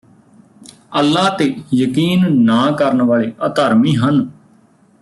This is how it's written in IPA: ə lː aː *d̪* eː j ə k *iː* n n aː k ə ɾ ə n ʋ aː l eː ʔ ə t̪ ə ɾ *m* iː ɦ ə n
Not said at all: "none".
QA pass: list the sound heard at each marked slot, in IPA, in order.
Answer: t̪, iː, m

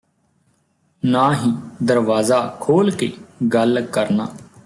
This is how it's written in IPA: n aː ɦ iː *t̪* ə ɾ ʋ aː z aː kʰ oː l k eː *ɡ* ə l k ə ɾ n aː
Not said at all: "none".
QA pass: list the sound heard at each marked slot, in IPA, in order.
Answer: d̪, ɡ

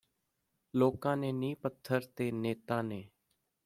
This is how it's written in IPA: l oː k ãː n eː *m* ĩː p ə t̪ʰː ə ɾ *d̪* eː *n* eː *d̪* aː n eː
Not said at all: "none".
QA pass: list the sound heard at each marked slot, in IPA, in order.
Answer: n, t̪, n, t̪

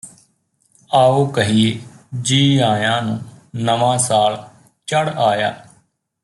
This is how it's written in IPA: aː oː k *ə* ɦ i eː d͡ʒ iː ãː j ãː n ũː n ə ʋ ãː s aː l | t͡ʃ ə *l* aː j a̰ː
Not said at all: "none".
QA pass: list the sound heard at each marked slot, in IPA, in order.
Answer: ə, ɽ

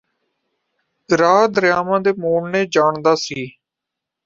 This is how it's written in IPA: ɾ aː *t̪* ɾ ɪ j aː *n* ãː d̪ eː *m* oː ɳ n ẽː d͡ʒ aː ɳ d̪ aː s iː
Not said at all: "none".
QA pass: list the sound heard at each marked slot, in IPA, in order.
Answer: d̪, m, m

